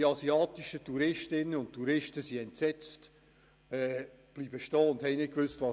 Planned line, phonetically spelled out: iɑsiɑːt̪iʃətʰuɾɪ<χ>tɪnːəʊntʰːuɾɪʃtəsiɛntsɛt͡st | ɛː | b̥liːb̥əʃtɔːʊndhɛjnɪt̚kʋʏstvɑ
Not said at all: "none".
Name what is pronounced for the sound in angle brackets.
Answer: ʃ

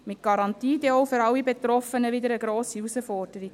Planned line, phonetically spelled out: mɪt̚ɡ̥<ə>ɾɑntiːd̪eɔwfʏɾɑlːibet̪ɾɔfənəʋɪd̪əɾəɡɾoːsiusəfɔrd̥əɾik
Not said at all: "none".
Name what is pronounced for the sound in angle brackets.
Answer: ɑ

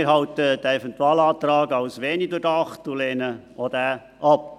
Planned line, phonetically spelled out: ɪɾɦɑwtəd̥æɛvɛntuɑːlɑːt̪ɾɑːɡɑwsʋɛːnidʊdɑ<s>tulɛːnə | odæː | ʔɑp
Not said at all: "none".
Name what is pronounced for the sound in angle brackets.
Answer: χ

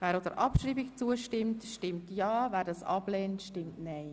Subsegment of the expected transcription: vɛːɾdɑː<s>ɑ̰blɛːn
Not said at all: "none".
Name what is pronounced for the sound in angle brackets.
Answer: s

